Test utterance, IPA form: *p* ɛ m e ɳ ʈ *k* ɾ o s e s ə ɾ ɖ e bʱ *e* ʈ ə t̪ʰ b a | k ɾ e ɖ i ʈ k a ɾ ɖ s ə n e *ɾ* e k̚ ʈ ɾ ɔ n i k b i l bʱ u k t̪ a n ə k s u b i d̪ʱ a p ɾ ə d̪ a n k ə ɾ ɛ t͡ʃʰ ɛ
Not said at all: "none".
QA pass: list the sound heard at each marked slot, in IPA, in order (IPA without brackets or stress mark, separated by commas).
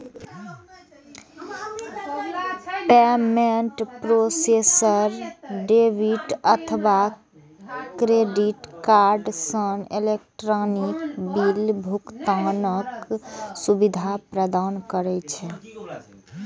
p, p, i, l